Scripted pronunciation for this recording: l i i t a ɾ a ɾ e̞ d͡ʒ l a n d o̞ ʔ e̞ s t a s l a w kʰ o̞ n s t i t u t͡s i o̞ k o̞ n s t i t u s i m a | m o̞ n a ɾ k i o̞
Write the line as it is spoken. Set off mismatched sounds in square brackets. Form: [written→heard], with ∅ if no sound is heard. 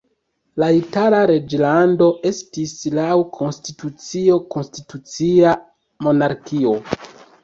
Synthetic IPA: l [i→a] i t a [ɾ→l] a ɾ e̞ d͡ʒ l a n d o̞ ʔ e̞ s t [a→i] s l a w kʰ o̞ n s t i t u t͡s i o̞ k o̞ n s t i t u [s→t͡s] i [m→∅] a | m o̞ n a ɾ k i o̞